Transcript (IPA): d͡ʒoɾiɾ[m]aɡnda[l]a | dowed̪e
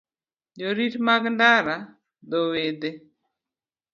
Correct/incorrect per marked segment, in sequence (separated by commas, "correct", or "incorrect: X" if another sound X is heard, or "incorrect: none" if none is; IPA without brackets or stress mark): correct, incorrect: ɾ